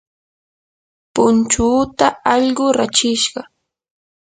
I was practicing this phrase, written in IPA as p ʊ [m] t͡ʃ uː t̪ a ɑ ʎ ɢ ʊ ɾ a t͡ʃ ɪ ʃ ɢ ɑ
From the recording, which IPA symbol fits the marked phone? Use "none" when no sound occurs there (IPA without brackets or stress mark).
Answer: n